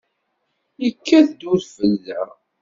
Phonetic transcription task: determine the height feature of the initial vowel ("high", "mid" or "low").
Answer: mid